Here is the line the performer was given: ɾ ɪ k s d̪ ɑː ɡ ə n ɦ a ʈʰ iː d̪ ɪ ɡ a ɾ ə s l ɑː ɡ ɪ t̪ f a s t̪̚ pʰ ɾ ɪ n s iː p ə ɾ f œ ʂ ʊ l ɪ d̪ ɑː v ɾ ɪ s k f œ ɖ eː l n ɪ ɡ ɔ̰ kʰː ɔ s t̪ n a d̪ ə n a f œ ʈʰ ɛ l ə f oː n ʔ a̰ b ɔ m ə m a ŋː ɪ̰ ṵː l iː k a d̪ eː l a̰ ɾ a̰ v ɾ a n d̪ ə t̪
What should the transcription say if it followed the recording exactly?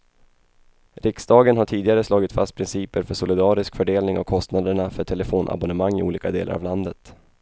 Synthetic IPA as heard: ɾ ɪ k s d̪ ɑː ɡ ə n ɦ a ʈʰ iː d̪ ɪ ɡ a ɾ ə s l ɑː ɡ ɪ t̪ f a s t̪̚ pʰ ɾ ɪ n s iː p ə ɾ f œ ʂ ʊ l ɪ d̪ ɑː ɾ ɪ s k f œ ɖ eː l n ɪ ŋ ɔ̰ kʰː ɔ s t̪ n a d̪ ə ɳ a f œ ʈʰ ɛ l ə f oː n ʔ a̰ b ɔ n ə m a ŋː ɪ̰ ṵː l iː k a d̪ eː l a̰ ɾ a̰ v l a n d̪ ə t̪